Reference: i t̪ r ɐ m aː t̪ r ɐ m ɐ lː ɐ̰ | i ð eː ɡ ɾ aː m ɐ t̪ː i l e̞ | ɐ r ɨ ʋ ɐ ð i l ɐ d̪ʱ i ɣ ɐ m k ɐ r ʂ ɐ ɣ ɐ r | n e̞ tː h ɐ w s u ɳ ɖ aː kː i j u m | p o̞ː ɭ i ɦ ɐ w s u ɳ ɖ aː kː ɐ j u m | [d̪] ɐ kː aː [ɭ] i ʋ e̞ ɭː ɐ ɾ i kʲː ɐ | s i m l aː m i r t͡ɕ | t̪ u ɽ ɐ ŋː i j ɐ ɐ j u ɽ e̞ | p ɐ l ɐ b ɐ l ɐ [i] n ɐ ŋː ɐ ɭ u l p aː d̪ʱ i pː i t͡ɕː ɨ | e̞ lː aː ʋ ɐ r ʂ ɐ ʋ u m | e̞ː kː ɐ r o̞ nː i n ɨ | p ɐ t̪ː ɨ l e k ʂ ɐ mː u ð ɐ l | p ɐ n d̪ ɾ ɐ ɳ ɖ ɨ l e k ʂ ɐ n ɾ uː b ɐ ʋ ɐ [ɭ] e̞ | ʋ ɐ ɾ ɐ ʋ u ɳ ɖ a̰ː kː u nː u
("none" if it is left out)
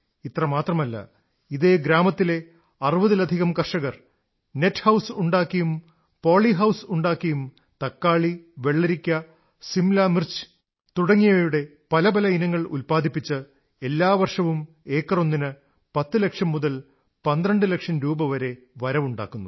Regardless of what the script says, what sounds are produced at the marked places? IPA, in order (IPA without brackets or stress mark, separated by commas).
t̪, ɭ, i, ɾ